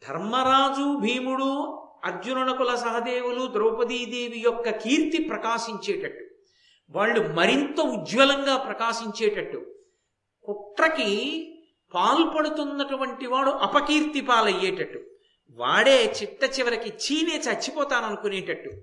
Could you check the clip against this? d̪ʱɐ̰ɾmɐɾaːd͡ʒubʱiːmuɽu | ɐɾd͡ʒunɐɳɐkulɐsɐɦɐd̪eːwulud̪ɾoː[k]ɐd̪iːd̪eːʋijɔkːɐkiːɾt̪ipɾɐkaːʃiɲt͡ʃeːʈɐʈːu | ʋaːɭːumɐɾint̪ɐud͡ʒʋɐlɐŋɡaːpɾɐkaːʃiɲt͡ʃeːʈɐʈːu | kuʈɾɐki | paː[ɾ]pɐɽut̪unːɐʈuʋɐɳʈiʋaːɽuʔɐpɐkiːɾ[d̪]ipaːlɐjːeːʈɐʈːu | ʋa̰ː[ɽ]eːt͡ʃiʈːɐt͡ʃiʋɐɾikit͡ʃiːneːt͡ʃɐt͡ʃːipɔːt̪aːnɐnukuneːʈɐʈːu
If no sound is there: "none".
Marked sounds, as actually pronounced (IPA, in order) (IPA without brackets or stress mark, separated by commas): p, l, t̪, ɽ